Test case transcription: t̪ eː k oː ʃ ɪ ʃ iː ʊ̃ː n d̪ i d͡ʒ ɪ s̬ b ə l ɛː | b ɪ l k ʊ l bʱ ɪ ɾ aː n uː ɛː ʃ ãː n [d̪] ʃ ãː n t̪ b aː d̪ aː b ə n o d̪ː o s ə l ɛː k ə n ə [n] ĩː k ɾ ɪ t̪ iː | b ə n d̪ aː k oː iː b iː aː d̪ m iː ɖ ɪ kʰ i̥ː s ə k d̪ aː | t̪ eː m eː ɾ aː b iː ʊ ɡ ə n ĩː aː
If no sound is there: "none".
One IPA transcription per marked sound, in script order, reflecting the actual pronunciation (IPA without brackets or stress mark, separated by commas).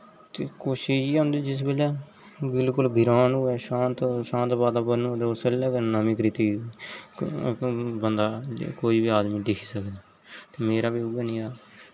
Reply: t̪, m